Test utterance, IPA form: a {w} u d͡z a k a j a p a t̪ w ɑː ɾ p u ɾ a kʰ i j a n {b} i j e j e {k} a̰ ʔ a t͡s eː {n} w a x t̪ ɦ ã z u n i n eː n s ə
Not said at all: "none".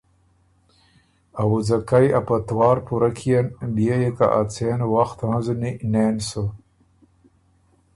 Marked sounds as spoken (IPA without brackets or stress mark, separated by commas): w, b, k, n